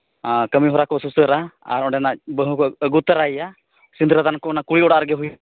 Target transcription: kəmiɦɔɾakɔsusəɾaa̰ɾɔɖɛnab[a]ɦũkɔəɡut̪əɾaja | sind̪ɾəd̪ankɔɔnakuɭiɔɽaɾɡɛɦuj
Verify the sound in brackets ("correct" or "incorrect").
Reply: incorrect